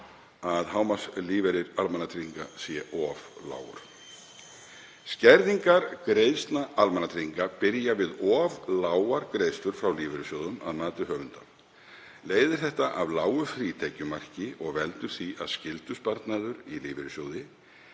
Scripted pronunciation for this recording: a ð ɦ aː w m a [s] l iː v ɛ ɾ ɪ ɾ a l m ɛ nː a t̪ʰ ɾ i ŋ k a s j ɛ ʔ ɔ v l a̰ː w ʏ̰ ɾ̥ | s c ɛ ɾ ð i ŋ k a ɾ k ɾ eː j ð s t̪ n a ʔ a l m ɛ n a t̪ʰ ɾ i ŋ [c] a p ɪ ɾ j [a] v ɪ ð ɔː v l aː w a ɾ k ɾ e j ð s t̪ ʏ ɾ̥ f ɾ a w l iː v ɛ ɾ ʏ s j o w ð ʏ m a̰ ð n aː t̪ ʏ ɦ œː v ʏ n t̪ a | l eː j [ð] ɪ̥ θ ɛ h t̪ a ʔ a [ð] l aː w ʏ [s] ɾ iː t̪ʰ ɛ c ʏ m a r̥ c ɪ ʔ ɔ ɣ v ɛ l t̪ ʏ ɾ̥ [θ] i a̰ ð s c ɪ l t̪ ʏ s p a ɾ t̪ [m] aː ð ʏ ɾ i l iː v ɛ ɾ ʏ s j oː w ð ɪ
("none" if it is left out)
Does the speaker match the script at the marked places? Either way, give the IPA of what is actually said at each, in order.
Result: s, k, a, ð, v, f, θ, n

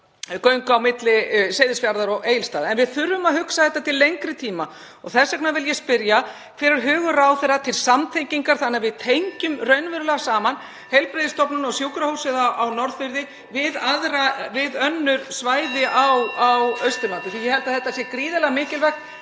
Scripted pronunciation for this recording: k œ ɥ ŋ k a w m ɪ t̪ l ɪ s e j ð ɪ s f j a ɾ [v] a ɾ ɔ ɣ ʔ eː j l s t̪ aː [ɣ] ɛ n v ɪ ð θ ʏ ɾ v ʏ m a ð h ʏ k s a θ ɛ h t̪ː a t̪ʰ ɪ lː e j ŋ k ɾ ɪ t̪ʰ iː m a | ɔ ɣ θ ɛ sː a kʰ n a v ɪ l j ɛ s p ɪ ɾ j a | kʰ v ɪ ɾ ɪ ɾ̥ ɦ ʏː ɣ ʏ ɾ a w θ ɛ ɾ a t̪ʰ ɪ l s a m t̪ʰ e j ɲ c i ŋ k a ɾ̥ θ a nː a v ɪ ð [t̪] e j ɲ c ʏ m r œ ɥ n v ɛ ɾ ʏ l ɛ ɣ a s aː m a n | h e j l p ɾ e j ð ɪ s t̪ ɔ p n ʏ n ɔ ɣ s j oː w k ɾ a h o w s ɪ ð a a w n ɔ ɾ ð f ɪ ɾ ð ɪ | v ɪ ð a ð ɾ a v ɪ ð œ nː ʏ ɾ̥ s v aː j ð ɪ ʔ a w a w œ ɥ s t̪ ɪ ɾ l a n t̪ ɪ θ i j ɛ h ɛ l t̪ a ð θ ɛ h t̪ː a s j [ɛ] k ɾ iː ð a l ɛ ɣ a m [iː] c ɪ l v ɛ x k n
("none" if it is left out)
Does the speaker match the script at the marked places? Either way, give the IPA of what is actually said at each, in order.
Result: ð, ð, t̪ʰ, ɛ, ɪː

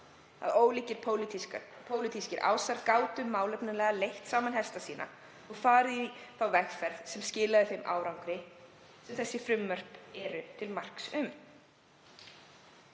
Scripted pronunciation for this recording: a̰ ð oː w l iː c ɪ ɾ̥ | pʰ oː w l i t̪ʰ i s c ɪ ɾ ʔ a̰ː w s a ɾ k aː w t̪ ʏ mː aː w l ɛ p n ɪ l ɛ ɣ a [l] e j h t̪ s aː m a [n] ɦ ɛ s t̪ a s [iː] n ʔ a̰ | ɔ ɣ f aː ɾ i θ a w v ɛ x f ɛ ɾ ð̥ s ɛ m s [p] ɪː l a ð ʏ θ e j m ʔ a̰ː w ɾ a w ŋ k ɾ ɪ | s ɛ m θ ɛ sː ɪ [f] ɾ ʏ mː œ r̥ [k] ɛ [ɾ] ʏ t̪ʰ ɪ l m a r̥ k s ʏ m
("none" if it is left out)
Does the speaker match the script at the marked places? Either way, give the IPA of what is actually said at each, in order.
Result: l, n, iː, c, f, p, ɾ

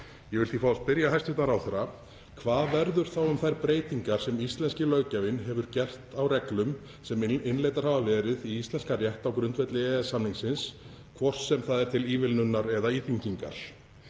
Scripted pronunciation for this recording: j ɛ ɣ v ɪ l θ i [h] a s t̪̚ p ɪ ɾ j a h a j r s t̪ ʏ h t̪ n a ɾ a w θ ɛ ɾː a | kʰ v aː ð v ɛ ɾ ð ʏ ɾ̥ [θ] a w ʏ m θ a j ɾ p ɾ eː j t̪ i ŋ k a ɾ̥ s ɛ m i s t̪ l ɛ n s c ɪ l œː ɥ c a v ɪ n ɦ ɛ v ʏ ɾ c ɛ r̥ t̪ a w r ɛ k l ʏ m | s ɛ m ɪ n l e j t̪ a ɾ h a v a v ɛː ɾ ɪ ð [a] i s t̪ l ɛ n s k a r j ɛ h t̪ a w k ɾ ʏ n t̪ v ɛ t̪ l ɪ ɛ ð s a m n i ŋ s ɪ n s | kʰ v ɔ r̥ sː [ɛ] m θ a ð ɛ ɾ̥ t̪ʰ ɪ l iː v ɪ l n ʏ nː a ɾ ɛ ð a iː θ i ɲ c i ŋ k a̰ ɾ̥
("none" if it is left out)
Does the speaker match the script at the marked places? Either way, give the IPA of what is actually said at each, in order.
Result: f, θ, i, ɛ

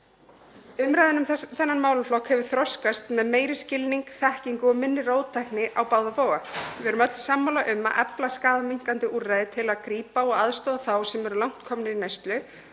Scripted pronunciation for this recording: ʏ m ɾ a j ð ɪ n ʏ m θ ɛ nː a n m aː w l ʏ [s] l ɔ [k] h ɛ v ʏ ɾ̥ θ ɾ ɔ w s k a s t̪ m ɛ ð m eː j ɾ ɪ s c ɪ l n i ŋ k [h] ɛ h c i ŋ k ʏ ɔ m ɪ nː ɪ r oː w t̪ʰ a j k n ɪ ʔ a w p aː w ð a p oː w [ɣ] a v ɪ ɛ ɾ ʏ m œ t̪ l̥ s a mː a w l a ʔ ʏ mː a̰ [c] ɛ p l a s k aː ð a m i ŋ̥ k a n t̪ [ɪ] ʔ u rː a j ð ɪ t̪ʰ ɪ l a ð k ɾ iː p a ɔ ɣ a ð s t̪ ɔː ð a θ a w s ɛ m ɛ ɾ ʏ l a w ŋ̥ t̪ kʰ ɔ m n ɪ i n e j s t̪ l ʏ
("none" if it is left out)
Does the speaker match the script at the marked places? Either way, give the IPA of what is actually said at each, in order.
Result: f, k, θ, ɣ, ʔ, ɪ

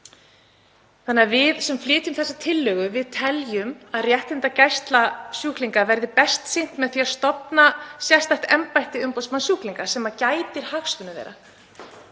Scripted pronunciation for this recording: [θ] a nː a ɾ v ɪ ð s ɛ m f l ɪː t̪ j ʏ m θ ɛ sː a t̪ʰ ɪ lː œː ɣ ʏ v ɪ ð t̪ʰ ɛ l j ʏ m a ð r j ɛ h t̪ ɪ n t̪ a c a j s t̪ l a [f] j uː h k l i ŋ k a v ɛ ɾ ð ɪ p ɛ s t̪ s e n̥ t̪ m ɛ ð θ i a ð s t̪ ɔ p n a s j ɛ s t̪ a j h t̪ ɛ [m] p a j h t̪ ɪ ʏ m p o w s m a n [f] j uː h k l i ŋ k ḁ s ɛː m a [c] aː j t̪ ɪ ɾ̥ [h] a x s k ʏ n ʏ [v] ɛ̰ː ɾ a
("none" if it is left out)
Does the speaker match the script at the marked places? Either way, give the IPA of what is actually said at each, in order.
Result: θ, s, m, s, c, h, v

